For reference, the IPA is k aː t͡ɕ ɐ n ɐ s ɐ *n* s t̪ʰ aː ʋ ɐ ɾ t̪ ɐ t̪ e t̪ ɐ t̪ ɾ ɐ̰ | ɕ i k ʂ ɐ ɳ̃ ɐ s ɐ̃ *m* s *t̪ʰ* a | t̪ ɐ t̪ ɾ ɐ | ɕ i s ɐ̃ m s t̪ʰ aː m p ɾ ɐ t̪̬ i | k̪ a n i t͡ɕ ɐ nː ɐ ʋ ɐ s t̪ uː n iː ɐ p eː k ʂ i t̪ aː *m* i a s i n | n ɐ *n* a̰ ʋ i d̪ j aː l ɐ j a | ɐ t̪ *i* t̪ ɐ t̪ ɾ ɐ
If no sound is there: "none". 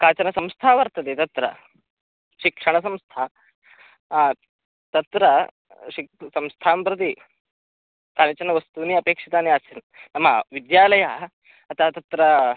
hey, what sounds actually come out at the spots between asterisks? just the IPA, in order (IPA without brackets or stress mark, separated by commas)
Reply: m, m, t̪ʰ, n, m, a